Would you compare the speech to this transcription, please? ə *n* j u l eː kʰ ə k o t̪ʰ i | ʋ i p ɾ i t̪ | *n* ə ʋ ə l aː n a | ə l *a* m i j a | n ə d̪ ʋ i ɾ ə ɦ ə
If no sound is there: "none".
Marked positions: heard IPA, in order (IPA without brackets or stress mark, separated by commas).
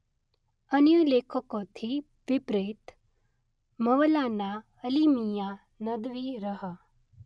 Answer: n, m, i